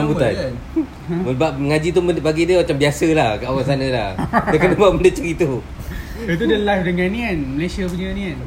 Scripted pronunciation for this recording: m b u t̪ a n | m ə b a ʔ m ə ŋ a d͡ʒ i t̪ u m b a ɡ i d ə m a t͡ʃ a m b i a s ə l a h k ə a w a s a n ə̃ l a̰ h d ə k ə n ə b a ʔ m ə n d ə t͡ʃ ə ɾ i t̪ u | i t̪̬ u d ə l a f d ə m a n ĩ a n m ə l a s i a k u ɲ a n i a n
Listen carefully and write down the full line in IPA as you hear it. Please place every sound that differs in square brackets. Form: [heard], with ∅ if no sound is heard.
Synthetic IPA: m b u t̪ a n | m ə b a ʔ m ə ŋ a d͡ʒ i t̪ u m b a ɡ i d ə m a t͡ʃ a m b i a s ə l a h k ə a w a s a n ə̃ l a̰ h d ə k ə n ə b a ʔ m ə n d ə t͡ʃ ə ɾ i t̪ u | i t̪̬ u d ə l a f d ə [ŋ] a n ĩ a n m ə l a s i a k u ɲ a n i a n